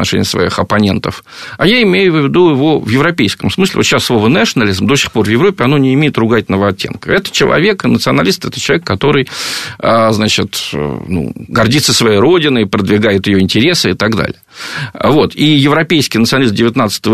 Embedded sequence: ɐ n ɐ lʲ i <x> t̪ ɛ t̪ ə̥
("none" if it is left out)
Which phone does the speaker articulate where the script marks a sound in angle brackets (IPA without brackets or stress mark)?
s